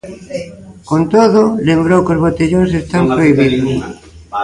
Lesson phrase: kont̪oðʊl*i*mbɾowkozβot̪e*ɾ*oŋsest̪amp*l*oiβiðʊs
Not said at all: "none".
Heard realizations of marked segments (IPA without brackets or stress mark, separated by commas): e, ʎ, ɾ